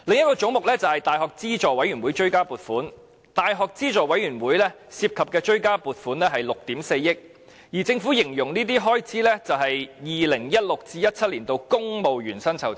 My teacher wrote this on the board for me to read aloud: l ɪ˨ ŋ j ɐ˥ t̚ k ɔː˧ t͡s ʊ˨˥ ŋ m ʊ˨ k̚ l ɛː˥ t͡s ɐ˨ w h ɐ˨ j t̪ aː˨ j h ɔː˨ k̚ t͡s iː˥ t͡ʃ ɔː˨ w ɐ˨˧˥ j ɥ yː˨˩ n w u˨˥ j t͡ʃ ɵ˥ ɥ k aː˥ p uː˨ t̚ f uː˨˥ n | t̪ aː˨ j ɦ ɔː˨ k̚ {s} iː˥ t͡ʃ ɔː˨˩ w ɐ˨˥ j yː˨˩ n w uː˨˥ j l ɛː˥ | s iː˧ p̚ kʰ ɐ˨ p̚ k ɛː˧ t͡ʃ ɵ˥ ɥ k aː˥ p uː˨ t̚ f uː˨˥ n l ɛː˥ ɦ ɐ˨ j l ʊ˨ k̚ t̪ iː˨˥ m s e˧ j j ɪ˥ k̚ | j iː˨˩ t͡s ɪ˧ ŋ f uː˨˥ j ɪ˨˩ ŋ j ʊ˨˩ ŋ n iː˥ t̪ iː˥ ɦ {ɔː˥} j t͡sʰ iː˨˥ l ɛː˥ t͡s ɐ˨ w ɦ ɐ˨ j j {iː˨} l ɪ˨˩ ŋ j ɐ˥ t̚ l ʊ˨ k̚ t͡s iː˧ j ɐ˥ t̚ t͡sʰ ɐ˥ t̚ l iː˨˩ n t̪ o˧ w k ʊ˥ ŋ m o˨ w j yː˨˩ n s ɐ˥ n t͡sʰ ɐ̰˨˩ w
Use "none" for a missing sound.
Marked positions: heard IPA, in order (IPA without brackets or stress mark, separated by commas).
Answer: t͡s, ɔː˥, iː˨